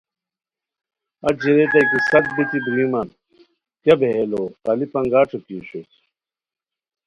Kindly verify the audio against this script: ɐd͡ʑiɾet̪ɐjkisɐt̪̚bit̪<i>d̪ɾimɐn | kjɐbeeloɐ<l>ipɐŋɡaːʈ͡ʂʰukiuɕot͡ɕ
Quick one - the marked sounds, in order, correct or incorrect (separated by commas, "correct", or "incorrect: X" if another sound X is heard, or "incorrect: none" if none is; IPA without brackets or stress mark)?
correct, correct